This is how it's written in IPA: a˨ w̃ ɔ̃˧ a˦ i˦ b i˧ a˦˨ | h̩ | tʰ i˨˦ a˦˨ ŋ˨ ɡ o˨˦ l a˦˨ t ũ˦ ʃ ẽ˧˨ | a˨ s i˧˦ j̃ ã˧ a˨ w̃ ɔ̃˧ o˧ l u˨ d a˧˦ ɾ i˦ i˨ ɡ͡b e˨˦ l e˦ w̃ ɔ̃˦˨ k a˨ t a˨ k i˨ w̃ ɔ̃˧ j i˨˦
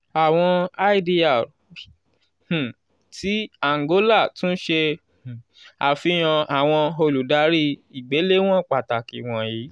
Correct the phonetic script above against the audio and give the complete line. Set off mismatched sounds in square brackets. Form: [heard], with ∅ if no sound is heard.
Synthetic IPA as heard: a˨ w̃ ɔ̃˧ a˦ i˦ [d] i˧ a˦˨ | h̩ | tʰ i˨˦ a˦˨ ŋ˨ ɡ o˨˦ l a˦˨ t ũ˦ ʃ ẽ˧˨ | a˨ [f] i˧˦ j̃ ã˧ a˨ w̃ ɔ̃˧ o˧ l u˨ d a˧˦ ɾ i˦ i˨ ɡ͡b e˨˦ l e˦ w̃ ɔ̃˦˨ [k͡p] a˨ t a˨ k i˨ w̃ ɔ̃˧ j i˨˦